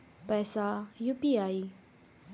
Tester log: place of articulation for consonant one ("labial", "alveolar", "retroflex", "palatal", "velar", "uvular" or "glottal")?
labial